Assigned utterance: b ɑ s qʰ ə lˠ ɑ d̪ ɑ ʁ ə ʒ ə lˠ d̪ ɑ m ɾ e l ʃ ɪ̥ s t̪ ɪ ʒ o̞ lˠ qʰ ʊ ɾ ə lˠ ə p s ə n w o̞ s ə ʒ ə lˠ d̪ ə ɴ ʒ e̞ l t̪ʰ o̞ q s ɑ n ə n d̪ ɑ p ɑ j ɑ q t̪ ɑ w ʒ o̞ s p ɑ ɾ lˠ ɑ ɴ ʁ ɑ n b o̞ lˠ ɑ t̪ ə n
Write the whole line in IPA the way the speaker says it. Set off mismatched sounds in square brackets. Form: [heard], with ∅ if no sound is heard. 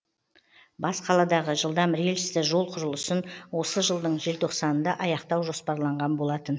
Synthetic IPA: b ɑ s qʰ [ɑ] lˠ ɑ d̪ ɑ ʁ ə ʒ ə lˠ d̪ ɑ m ɾ e l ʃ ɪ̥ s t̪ ɪ ʒ o̞ lˠ qʰ ʊ ɾ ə lˠ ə [∅] s ə n w o̞ s ə ʒ ə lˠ d̪ ə ɴ ʒ e̞ l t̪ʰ o̞ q s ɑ n ə n d̪ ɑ [ʔ] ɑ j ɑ q t̪ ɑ w ʒ o̞ s p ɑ ɾ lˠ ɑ ɴ ʁ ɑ n b o̞ lˠ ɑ t̪ ə n